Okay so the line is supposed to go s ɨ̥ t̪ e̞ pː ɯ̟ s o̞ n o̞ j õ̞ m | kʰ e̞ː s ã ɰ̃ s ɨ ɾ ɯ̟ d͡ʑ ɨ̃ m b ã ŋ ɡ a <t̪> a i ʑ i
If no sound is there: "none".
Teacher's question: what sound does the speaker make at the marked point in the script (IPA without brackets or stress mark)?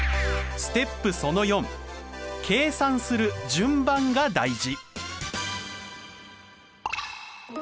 d̪